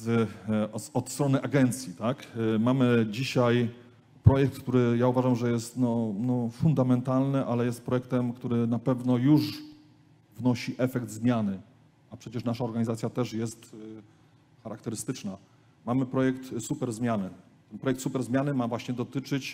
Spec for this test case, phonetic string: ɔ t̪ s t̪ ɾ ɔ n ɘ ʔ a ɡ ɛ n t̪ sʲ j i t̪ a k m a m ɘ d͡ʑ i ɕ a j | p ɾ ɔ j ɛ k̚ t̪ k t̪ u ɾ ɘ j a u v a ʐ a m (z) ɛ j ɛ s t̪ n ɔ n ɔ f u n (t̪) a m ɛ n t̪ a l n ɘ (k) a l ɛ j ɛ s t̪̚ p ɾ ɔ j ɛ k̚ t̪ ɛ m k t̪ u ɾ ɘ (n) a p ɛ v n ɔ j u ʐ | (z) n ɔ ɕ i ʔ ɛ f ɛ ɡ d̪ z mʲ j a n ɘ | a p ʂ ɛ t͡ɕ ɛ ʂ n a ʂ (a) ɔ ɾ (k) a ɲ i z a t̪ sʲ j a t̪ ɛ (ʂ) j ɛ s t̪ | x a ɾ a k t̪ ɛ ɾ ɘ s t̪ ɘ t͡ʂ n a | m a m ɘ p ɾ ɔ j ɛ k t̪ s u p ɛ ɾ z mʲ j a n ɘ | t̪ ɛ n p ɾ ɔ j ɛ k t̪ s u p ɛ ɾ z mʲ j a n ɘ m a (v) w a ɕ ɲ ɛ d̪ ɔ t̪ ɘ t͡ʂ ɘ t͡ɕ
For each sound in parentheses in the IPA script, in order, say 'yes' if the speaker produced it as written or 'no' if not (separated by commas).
no, no, no, yes, no, yes, no, yes, yes